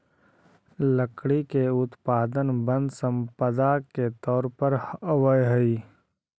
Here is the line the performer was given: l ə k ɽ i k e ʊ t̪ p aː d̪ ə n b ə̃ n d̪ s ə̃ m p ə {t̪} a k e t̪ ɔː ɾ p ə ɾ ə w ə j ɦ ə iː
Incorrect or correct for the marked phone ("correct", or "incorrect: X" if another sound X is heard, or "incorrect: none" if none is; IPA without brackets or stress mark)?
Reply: incorrect: d̪